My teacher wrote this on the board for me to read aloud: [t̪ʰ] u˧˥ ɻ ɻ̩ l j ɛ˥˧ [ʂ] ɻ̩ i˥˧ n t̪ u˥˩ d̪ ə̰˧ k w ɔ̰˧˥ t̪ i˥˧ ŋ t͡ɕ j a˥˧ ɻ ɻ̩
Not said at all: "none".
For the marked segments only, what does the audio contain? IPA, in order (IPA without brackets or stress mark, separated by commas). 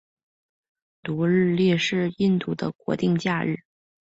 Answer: t̪, ʂ